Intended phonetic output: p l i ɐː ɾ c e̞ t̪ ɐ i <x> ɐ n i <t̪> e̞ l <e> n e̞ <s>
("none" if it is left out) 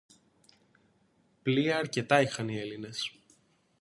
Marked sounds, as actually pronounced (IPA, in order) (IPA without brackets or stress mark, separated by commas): x, none, i, s